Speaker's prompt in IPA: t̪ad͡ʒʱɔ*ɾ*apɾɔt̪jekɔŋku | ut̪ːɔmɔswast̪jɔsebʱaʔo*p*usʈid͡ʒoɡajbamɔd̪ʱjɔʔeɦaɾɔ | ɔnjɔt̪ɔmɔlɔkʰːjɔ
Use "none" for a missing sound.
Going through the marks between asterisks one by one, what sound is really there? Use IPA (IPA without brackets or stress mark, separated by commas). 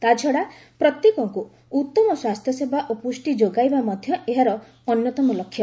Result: ɽ, p